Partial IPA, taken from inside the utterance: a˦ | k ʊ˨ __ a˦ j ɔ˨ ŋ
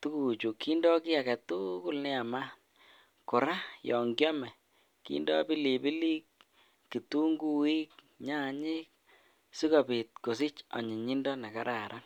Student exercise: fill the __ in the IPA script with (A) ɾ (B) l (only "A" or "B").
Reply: A